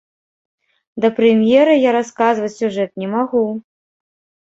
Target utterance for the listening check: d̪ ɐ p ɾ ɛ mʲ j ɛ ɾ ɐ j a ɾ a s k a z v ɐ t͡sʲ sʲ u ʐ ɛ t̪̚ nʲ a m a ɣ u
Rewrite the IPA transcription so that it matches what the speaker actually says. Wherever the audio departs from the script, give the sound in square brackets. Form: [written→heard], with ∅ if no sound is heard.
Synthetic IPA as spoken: d̪ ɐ p ɾ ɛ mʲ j ɛ ɾ ɐ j a ɾ a s k a z v ɐ t͡sʲ sʲ u ʐ ɛ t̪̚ nʲ [a→ɛ] m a ɣ u

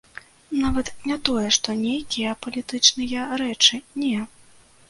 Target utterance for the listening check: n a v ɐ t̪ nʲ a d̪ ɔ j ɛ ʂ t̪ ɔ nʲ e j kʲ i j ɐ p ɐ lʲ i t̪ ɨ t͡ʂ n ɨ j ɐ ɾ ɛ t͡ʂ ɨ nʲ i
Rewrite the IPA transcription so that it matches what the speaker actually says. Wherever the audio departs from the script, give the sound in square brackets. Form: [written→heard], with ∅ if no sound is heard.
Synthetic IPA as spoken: n a v ɐ t̪ nʲ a [d̪→t̪] ɔ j ɛ ʂ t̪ ɔ nʲ e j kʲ i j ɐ p ɐ lʲ i t̪ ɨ t͡ʂ n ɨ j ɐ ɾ ɛ t͡ʂ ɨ nʲ [i→ɛ]

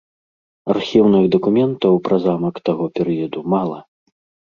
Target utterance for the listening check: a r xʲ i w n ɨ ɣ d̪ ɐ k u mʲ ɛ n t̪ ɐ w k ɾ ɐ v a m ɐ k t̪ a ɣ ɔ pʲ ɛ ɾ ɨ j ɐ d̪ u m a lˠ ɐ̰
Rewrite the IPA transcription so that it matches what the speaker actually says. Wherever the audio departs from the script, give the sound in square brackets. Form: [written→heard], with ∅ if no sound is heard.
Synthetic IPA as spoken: a r xʲ i w n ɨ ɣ d̪ ɐ k u mʲ ɛ n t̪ ɐ w [k→p] ɾ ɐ [v→z] a m ɐ k t̪ a ɣ ɔ pʲ ɛ ɾ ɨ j ɐ d̪ u m a lˠ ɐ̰

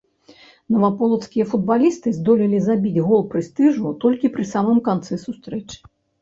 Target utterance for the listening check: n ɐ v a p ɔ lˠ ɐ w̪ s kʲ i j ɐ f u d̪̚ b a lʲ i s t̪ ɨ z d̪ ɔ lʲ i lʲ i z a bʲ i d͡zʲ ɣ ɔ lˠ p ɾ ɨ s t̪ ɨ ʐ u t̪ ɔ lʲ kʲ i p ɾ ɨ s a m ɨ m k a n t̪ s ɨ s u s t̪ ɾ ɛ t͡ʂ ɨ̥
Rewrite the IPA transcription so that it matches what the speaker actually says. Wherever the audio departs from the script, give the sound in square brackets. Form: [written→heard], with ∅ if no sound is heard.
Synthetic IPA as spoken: n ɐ v a p ɔ lˠ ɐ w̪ s kʲ i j ɐ f u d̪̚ b a lʲ i s t̪ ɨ z d̪ ɔ lʲ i lʲ i z a bʲ i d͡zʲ ɣ ɔ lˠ p ɾ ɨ s t̪ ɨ ʐ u t̪ ɔ lʲ kʲ i p ɾ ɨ s a m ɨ m k a n t̪ s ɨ s u s t̪ ɾ ɛ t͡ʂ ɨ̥

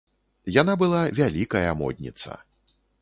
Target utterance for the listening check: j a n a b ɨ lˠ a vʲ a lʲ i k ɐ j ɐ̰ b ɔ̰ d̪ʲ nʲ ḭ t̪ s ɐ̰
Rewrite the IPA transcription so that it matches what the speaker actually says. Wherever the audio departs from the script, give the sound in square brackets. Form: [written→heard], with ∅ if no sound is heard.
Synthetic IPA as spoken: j a n a b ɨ lˠ a vʲ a lʲ i k ɐ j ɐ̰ [b→m] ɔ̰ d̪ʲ nʲ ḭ t̪ s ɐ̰

